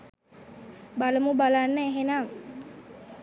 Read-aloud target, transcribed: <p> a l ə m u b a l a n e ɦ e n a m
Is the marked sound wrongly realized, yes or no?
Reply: yes